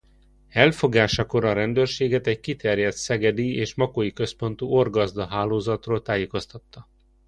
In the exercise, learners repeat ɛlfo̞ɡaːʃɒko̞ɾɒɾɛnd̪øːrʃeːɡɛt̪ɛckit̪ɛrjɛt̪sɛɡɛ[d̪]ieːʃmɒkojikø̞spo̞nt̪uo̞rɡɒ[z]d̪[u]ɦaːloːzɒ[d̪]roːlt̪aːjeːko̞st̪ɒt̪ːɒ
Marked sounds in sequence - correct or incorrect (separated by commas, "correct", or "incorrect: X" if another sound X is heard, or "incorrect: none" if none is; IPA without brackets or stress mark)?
correct, correct, incorrect: ɒ, incorrect: t̪